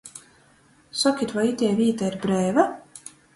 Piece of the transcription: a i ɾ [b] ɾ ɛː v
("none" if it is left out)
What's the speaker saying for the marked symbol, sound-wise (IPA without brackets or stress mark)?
b